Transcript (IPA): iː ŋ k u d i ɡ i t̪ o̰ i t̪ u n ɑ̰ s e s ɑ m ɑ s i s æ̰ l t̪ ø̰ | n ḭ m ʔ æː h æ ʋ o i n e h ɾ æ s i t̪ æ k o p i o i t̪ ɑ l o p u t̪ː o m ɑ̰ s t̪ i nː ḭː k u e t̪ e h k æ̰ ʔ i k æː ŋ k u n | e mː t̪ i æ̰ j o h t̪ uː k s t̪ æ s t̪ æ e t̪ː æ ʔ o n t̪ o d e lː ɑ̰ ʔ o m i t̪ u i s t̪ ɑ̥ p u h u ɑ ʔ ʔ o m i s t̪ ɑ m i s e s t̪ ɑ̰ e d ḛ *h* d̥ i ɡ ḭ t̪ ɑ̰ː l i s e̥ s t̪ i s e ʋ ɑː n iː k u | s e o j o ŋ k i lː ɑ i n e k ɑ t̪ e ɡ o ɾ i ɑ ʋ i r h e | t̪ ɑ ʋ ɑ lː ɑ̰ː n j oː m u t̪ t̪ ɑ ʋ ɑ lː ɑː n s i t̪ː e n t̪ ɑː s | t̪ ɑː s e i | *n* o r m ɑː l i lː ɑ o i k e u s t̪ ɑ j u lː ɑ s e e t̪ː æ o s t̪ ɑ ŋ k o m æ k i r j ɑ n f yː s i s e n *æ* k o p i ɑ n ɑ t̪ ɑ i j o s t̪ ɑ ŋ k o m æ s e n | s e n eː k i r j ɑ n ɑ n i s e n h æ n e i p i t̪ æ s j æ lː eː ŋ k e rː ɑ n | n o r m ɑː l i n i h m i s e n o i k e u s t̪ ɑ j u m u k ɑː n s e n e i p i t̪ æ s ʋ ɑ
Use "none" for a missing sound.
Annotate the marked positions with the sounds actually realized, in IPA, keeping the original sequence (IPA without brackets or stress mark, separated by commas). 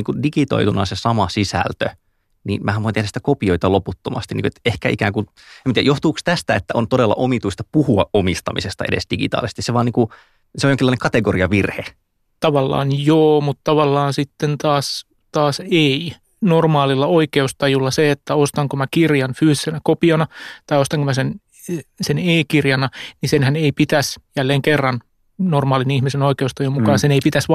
s, n, æ